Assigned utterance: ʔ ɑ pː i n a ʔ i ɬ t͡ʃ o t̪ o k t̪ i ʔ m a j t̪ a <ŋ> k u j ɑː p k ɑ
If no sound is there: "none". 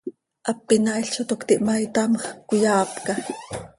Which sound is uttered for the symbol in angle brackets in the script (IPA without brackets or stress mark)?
m